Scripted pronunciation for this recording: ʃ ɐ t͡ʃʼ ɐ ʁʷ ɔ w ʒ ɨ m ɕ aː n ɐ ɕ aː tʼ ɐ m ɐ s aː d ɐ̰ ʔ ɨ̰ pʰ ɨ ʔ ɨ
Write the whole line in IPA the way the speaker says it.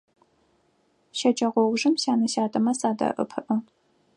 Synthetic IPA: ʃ ɐ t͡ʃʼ ɐ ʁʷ ɔ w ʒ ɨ m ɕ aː n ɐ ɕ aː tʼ ɐ m ɐ s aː d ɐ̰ ʔ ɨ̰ pʰ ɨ ʔ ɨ